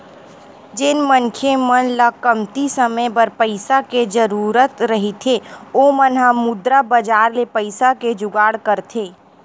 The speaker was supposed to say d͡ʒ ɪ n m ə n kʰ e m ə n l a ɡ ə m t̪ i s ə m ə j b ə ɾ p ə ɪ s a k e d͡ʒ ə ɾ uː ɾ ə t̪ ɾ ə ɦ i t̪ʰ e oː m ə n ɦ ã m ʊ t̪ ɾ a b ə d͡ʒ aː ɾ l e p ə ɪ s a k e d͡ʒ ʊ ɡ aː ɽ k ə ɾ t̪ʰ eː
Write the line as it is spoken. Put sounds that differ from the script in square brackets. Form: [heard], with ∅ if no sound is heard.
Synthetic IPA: d͡ʒ ɪ n m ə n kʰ e m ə n l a [k] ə m t̪ i s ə m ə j b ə ɾ p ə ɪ s a k e d͡ʒ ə ɾ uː ɾ ə t̪ ɾ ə ɦ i t̪ʰ e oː m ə n ɦ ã m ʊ [d̪] ɾ a b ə d͡ʒ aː ɾ l e p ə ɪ s a k e d͡ʒ ʊ ɡ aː ɽ k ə ɾ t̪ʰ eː